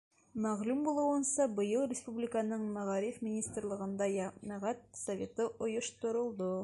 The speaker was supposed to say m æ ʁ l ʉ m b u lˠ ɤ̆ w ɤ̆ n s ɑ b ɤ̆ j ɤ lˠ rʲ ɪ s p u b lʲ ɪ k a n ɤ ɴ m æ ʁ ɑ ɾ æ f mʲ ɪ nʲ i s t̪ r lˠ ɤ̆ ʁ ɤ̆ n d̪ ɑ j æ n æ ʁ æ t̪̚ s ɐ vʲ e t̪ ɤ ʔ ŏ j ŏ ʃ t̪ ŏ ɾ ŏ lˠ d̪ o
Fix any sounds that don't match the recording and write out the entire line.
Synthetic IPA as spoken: m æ ʁ l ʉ m b u lˠ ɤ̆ w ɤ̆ n s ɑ b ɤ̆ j ɤ lˠ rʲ ɪ s p u b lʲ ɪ k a n ɤ ɴ m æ ʁ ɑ ɾ i f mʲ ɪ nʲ i s t̪ r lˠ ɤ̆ ʁ ɤ̆ n d̪ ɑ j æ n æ ʁ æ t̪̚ s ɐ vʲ e t̪ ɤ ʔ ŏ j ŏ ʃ t̪ ŏ ɾ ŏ lˠ d̪ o